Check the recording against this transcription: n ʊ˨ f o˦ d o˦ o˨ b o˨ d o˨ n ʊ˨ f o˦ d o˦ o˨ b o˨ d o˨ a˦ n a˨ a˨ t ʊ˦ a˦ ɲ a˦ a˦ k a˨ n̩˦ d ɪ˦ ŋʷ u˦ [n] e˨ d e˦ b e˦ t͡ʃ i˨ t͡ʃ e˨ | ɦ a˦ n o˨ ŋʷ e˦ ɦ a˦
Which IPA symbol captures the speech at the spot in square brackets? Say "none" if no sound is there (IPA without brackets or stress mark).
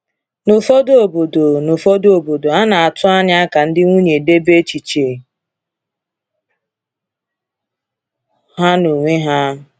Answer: ɲ